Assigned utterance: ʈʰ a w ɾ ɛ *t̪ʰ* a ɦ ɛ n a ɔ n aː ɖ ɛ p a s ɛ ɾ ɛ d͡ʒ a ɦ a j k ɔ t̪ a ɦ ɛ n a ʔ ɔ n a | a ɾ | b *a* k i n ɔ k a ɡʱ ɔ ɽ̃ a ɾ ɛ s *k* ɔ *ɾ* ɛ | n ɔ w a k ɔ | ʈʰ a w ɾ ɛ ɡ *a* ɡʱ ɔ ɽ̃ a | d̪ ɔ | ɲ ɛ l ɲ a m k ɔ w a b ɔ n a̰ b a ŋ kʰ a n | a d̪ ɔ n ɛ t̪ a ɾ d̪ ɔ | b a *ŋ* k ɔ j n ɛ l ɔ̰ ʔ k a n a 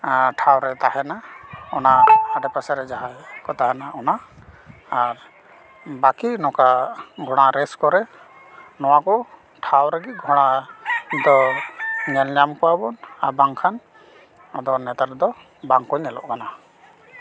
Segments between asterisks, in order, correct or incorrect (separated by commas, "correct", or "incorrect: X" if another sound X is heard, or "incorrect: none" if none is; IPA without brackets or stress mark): incorrect: t̪, correct, correct, correct, incorrect: i, correct